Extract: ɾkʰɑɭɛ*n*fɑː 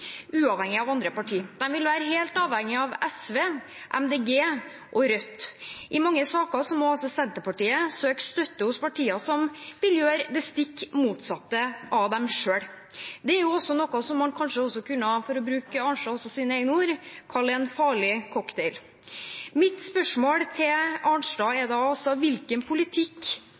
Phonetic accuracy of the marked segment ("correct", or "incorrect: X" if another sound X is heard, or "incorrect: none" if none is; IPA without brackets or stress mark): correct